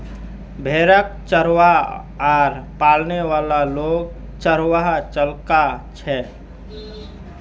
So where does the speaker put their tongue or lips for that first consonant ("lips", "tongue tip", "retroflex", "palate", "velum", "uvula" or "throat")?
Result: lips